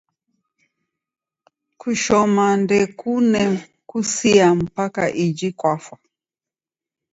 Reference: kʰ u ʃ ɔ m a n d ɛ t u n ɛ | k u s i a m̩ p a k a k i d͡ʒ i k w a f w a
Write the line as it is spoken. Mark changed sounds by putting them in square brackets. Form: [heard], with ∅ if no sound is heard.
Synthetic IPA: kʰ u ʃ ɔ m a n d ɛ [k] u n ɛ | k u s i a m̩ p a k a [ʔ] i d͡ʒ i k w a f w a

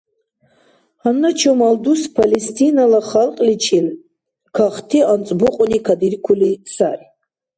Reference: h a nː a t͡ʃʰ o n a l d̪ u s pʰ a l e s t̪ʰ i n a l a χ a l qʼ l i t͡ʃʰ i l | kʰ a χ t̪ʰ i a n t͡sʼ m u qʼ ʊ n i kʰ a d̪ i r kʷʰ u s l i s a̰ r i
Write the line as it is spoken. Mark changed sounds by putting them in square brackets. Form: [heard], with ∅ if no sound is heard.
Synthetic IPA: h a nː a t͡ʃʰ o [m] a l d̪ u s pʰ a l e s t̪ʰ i n a l a χ a l qʼ l i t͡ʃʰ i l | kʰ a χ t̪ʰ i a n t͡sʼ [b] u qʼ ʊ n i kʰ a d̪ i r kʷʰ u [∅] l i s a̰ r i

